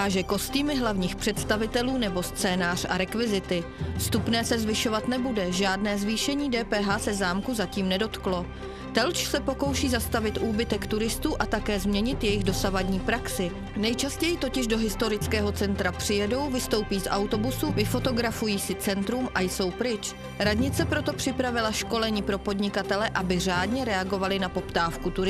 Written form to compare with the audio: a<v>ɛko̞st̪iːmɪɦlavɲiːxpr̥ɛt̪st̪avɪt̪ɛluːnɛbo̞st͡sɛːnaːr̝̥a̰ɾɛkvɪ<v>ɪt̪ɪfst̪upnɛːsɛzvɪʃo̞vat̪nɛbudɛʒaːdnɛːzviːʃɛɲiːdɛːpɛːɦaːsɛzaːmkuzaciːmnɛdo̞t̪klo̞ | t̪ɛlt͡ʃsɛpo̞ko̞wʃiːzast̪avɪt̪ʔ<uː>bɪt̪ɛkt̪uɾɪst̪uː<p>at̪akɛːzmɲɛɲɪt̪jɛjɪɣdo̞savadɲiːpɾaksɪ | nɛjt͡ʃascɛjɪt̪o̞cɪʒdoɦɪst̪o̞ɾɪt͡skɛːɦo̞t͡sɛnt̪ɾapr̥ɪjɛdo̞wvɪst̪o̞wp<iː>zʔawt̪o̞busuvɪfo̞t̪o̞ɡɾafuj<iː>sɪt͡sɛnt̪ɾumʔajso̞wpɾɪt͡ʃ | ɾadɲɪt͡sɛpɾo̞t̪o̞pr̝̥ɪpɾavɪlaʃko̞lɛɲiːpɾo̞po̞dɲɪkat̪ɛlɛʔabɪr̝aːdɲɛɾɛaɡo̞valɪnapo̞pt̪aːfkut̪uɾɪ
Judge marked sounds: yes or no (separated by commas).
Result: no, no, yes, no, yes, yes